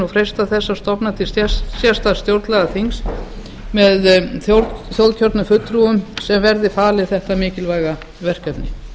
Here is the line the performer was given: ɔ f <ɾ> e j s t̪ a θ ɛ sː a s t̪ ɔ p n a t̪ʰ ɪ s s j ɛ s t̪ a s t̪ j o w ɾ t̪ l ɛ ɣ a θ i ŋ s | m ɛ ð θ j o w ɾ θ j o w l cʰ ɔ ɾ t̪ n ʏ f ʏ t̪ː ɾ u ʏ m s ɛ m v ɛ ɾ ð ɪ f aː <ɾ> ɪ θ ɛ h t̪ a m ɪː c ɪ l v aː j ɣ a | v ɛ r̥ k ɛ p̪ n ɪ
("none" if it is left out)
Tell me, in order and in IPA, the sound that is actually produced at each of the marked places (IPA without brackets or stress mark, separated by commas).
ɾ, l